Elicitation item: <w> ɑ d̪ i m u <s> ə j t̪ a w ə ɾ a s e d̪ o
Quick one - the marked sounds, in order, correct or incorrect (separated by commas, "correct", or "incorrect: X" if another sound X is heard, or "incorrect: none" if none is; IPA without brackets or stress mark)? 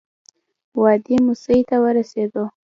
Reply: correct, correct